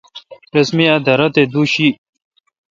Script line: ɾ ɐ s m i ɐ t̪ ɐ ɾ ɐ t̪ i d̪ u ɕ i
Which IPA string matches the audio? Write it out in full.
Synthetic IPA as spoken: ɾ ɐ s m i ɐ d̪ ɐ ɾ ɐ t̪ e d̪ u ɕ i